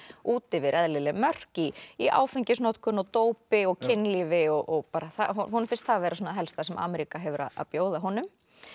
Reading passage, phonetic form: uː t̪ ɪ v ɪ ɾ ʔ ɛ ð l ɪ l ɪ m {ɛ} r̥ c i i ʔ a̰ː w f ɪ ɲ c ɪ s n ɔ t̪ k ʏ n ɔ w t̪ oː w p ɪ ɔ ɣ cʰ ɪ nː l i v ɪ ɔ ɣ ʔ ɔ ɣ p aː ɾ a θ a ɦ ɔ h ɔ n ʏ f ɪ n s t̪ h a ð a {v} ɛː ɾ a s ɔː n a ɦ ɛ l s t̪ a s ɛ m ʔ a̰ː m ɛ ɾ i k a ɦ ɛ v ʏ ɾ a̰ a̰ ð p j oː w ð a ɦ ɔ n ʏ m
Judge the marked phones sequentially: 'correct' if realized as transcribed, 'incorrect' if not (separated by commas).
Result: incorrect, correct